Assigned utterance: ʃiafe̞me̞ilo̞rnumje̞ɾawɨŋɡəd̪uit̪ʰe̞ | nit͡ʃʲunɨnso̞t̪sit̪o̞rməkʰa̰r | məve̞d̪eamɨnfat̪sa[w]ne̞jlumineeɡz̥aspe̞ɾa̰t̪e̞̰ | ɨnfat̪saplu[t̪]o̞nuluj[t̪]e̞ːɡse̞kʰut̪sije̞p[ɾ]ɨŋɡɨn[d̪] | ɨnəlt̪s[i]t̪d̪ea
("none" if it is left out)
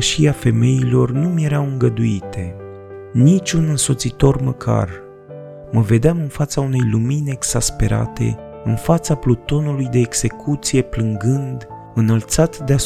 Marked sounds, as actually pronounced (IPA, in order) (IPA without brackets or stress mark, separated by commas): u, t̪, d̪, l, d̪, a